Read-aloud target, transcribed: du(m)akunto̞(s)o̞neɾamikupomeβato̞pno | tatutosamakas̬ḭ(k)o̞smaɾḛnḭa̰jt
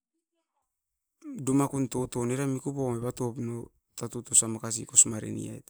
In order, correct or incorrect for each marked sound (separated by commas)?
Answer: correct, incorrect, correct